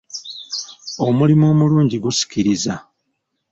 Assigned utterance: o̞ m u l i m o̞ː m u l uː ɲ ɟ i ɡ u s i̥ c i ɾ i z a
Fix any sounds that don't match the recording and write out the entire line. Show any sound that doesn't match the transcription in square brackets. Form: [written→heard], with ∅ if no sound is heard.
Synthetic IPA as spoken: o̞ m u l i m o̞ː m u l uː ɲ ɟ i ɡ u s i̥ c i ɾ i z a